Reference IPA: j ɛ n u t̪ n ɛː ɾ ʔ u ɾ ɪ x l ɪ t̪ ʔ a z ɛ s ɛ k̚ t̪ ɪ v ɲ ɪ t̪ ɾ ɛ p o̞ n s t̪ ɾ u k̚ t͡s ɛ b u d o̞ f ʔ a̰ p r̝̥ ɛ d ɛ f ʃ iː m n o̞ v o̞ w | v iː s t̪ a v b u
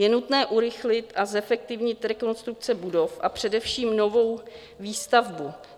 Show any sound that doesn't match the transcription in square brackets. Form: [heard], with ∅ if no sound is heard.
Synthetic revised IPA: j ɛ n u t̪ n ɛː [∅] ʔ u ɾ ɪ x l ɪ t̪ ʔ a z ɛ [f] ɛ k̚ t̪ ɪ v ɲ ɪ t̪ ɾ ɛ [k] o̞ n s t̪ ɾ u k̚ t͡s ɛ b u d o̞ f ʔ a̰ p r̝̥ ɛ d ɛ f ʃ iː m n o̞ v o̞ w | v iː s t̪ a v b u

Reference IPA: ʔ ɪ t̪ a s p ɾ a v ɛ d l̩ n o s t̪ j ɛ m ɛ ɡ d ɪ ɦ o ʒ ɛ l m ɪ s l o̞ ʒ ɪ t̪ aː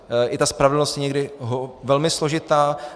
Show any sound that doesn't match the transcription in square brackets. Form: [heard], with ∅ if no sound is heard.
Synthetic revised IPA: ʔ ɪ t̪ a s p ɾ a v ɛ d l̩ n o s t̪ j ɛ [ɲ] ɛ ɡ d ɪ ɦ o [v] ɛ l m ɪ s l o̞ ʒ ɪ t̪ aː

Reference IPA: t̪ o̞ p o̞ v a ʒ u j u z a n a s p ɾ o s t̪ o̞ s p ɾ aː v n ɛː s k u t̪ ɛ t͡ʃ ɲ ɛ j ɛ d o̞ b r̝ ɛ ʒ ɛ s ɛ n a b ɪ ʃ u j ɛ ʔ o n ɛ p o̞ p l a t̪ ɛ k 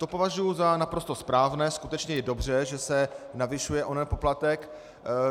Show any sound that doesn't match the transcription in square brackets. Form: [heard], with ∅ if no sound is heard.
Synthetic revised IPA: t̪ o̞ p o̞ v a ʒ u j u z a n a [∅] p ɾ o s t̪ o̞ s p ɾ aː v n ɛː s k u t̪ ɛ t͡ʃ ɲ ɛ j ɛ d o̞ b r̝ ɛ ʒ ɛ s ɛ n a [v] ɪ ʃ u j ɛ ʔ o n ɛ p o̞ p l a t̪ ɛ k

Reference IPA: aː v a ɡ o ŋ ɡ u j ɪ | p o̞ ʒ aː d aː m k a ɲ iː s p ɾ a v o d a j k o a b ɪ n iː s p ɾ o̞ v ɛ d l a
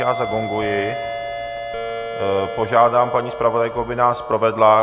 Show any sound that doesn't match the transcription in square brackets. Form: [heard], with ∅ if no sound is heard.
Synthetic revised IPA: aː [z] a ɡ o ŋ ɡ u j ɪ | p o̞ ʒ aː d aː m [p] a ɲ iː s p ɾ a v o d a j k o a b ɪ n [aː] s p ɾ o̞ v ɛ d l a

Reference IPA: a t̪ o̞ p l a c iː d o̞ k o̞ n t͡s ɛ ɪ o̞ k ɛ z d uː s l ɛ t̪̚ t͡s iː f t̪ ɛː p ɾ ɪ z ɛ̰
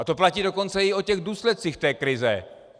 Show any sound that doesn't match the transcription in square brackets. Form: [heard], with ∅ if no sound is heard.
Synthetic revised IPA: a t̪ o̞ p l a c iː d o̞ k o̞ n t͡s ɛ ɪ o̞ [c] ɛ [ɣ] d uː s l ɛ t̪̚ t͡s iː [x] t̪ ɛː [k] ɾ ɪ z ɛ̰

